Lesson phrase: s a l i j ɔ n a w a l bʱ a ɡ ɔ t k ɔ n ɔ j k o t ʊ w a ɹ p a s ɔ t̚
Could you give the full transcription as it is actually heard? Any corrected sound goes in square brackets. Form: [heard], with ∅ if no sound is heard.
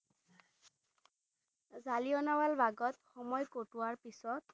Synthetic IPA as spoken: [z] a l i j ɔ n a w a l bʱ a ɡ ɔ t [x] ɔ [m] ɔ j k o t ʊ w a ɹ p [i] s ɔ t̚